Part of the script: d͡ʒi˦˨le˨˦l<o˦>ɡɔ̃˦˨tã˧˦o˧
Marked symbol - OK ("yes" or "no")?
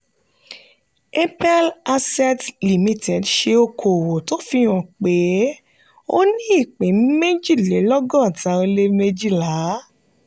no